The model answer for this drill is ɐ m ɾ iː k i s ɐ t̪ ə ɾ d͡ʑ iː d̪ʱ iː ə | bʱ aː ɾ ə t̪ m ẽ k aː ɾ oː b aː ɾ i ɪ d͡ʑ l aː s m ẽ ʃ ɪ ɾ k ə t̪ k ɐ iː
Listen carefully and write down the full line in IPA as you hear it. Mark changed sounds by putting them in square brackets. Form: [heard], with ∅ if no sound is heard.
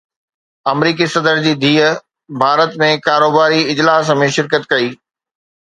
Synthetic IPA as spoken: ɐ m ɾ iː k i s ɐ [d̪] ə ɾ d͡ʑ iː d̪ʱ iː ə | bʱ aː ɾ ə t̪ m ẽ k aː ɾ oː b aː ɾ i ɪ d͡ʑ l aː s m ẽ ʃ ɪ ɾ k ə t̪ k ɐ iː